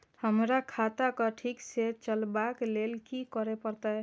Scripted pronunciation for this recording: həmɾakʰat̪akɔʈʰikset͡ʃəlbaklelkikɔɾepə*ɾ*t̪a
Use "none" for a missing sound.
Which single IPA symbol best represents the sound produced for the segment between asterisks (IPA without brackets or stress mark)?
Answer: ɾ